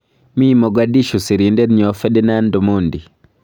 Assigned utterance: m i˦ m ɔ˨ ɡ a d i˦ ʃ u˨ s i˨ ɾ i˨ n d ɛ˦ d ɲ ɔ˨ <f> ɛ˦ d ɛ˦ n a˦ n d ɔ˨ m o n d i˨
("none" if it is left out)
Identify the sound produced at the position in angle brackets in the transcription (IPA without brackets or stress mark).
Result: f